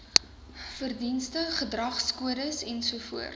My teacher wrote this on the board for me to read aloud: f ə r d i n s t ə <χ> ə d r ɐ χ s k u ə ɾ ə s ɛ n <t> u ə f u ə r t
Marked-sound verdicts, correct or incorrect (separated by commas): correct, incorrect